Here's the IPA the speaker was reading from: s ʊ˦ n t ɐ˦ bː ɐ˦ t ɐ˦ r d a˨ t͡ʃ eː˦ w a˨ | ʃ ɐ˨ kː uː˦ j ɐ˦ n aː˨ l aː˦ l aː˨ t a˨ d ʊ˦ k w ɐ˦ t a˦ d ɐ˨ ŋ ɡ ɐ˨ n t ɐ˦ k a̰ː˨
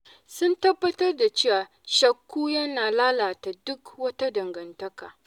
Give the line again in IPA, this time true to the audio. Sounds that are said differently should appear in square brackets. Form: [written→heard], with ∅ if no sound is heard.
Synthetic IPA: s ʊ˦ n t ɐ˦ bː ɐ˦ t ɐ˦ r d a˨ t͡ʃ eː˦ w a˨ | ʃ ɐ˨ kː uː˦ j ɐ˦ n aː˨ l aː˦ l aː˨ t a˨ d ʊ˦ k w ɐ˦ t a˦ d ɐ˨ ŋ ɡ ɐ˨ n t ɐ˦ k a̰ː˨